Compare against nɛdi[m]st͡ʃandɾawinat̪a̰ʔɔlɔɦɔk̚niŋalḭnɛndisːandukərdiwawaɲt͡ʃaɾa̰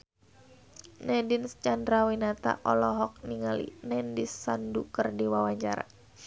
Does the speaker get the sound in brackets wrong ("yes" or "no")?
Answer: yes